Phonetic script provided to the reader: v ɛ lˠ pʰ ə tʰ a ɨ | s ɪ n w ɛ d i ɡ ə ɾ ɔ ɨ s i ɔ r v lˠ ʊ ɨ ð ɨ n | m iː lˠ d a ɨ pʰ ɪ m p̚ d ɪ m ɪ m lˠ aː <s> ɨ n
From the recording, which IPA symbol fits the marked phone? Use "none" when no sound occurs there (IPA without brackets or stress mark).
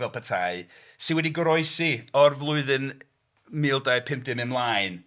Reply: none